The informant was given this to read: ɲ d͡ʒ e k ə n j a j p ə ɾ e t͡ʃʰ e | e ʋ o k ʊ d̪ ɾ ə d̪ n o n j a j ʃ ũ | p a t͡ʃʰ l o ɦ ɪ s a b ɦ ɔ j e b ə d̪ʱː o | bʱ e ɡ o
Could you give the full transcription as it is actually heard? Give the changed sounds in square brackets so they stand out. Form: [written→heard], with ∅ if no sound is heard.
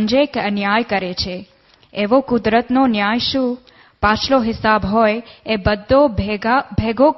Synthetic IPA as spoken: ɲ d͡ʒ e k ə n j a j [p→k] ə ɾ e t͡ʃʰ e | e ʋ o k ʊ d̪ ɾ ə [d̪→t̪] n o n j a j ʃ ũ | p a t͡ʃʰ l o ɦ ɪ s a b ɦ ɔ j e b ə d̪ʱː o | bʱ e ɡ o